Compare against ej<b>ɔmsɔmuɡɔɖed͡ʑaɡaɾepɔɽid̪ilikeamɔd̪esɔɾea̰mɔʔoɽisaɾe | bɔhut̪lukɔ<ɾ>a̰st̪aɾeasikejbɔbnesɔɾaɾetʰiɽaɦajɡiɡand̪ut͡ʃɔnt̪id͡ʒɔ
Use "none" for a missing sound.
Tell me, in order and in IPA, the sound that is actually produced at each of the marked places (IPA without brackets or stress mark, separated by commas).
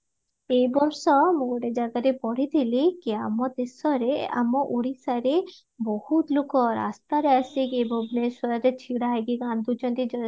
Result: b, ɾ